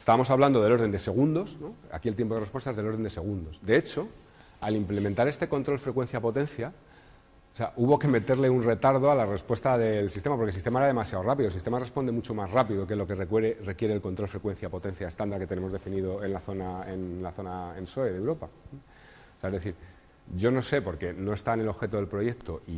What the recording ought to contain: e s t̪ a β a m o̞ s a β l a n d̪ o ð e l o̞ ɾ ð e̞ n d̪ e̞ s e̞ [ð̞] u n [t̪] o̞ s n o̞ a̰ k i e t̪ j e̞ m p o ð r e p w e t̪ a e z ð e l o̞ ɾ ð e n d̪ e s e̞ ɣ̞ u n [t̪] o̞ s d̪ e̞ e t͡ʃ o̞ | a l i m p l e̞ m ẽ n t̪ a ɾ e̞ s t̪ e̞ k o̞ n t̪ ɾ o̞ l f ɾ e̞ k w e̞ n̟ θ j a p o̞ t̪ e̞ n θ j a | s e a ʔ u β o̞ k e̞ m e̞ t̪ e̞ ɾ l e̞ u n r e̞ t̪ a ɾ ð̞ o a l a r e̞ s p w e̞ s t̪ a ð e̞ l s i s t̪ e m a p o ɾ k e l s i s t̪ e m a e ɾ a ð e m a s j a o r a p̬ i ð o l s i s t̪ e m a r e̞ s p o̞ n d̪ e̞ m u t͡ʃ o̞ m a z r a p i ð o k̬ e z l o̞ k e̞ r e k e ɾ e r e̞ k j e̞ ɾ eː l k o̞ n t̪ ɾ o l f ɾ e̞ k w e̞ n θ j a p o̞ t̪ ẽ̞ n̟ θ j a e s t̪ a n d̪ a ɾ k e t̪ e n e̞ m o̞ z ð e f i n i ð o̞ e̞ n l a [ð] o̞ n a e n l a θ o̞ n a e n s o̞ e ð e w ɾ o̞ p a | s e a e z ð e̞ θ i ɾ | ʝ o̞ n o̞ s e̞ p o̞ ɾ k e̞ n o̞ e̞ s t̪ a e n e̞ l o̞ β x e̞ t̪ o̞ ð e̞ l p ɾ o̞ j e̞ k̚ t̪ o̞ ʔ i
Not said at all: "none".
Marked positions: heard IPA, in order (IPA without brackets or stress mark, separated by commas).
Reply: ɣ̞, d̪, d̪, θ